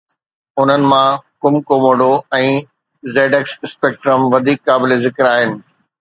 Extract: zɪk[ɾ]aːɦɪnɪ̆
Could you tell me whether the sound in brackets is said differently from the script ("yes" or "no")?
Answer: no